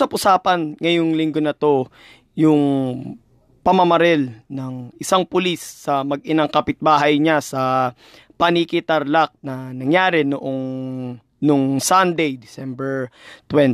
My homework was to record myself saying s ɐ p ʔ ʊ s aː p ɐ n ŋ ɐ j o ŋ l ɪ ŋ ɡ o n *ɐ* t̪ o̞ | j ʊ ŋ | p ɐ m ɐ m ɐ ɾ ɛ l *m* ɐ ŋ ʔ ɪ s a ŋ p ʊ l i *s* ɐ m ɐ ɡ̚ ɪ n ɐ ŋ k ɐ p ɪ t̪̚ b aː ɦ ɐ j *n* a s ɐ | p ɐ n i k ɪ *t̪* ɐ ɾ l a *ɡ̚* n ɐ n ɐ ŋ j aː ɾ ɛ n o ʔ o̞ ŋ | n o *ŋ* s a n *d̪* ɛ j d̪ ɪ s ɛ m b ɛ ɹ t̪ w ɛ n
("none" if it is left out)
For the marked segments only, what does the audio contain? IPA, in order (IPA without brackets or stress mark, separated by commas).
ɐ, n, sː, ɲ, t̪, k̚, ŋ, d̪